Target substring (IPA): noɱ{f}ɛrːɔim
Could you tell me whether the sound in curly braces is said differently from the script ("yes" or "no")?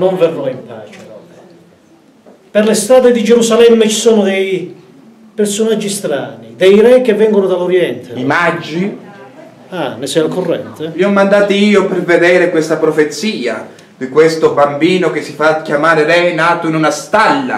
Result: yes